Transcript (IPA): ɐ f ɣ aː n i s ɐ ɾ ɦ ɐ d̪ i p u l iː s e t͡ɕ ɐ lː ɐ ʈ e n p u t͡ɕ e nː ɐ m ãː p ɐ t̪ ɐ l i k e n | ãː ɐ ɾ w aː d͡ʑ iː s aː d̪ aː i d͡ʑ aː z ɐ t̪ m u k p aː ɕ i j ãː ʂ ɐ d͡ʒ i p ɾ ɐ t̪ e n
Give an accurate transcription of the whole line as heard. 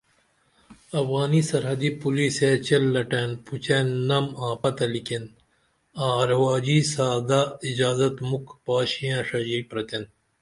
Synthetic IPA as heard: ɐ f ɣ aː n i s ɐ ɾ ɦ ɐ d̪ i p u l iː s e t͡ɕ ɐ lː ɐ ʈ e n p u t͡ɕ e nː ɐ m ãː p ɐ t̪ ɐ l i k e n | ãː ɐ ɾ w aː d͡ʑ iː s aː d̪ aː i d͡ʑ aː z ɐ t̪ m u k p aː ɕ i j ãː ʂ ɐ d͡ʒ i p ɾ ɐ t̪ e n